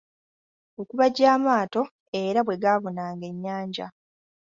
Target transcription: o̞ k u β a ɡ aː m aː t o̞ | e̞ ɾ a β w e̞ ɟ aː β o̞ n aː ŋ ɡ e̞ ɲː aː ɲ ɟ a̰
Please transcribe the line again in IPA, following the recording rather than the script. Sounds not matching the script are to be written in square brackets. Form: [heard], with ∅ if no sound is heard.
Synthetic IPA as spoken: o̞ k u β a [ɟ] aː m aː t o̞ | e̞ ɾ a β w e̞ [ɡ] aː β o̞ n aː ŋ ɡ e̞ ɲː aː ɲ ɟ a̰